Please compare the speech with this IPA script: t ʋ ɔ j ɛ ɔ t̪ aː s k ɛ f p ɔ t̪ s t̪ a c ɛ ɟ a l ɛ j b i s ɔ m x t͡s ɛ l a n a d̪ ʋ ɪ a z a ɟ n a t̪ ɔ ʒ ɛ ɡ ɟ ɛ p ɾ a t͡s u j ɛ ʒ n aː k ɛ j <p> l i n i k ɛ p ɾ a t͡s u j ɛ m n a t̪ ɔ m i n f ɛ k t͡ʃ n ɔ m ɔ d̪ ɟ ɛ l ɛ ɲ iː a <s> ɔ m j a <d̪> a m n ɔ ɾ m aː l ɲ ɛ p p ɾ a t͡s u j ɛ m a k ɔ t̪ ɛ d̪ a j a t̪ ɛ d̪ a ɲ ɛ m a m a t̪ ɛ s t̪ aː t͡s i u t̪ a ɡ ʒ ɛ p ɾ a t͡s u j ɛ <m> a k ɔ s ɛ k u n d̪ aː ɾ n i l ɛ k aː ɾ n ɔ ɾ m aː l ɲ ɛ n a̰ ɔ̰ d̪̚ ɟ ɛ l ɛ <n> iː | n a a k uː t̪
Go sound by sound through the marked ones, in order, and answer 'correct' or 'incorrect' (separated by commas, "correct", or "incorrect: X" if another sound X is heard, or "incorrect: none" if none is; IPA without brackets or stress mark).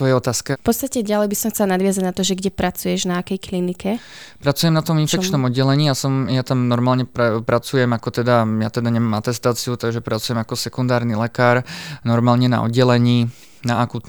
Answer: incorrect: k, correct, incorrect: t̪, correct, incorrect: ɲ